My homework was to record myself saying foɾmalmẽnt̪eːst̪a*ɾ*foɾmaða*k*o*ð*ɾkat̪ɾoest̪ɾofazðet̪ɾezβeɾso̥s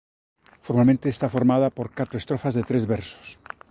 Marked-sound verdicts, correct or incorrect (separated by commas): incorrect, incorrect, incorrect